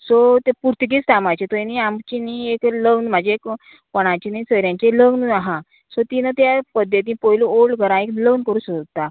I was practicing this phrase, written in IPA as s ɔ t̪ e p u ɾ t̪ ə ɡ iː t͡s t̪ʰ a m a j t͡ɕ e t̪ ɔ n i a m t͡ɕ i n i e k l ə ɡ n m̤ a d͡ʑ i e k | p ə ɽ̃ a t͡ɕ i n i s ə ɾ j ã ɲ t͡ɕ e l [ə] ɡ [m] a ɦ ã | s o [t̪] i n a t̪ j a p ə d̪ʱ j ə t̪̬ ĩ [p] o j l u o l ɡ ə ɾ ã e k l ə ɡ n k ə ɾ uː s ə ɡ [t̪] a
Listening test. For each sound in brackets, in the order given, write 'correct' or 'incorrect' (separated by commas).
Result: correct, incorrect, correct, correct, correct